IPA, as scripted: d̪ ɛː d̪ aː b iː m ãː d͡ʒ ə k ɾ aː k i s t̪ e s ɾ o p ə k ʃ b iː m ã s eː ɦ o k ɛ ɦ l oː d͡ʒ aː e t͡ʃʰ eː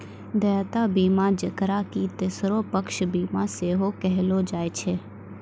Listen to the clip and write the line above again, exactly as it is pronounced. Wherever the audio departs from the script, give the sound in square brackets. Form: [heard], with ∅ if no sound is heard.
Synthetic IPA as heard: d̪ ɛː [t̪] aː b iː m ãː d͡ʒ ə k ɾ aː k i [∅] t̪ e s ɾ o p ə k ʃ b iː m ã s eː ɦ o k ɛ ɦ l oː d͡ʒ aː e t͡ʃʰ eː